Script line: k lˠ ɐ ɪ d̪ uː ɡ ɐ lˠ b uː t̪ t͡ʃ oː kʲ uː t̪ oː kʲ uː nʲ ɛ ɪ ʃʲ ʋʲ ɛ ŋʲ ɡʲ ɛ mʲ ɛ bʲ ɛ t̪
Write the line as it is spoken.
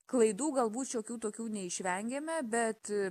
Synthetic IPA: k lˠ ɐ ɪ d̪ uː ɡ ɐ lˠ b uː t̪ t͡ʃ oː kʲ uː t̪ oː kʲ uː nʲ ɛ ɪ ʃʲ ʋʲ ɛ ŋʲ ɡʲ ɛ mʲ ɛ bʲ ɛ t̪